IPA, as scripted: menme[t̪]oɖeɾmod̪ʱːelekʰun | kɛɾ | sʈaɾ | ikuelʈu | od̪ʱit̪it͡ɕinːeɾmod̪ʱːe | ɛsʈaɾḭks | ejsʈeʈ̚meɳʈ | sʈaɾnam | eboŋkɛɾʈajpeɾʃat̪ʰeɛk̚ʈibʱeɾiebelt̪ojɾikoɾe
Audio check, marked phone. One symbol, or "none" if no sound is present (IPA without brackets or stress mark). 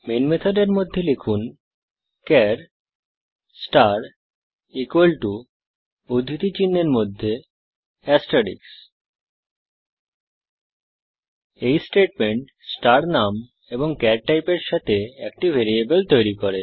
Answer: t̪ʰ